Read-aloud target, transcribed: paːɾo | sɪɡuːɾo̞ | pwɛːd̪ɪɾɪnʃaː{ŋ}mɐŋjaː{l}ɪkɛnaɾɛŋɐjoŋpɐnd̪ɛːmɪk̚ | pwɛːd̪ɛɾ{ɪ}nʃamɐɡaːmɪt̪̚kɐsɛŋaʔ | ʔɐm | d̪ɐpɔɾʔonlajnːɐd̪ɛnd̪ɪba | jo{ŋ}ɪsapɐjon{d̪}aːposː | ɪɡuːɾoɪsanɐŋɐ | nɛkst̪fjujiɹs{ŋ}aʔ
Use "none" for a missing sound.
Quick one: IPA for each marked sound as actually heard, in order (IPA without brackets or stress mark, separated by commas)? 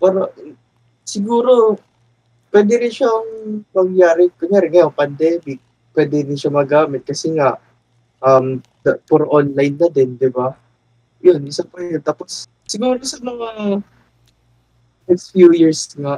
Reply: ŋ, ɾ, ɪ, n, t̪, ŋ